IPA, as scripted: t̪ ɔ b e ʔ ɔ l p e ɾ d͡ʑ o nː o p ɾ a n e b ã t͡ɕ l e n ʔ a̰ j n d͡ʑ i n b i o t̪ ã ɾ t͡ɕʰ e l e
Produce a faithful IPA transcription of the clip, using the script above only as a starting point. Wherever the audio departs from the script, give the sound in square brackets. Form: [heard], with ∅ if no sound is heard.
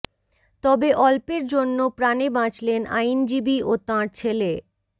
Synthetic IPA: t̪ ɔ b e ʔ ɔ l p e ɾ d͡ʑ o nː o p ɾ a n e b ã t͡ɕ l e n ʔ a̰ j n d͡ʑ i [∅] b i o t̪ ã ɾ t͡ɕʰ e l e